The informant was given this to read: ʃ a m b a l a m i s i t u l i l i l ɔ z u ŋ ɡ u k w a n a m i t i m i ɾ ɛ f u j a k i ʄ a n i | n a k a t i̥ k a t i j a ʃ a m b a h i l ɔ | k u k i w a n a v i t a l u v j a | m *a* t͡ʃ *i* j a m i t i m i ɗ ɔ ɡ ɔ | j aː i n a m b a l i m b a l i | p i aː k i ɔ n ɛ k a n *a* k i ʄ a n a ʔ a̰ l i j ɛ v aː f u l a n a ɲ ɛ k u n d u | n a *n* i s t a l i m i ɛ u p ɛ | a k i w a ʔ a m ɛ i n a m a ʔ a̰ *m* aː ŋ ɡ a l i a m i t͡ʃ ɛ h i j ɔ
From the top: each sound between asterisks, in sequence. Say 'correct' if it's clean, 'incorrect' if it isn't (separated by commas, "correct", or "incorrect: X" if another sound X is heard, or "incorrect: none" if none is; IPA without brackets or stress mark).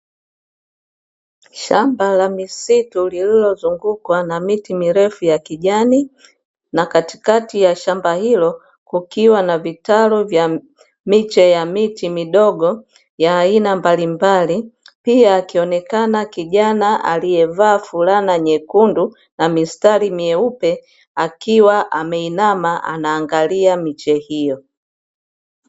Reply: incorrect: i, incorrect: ɛ, correct, incorrect: m, incorrect: n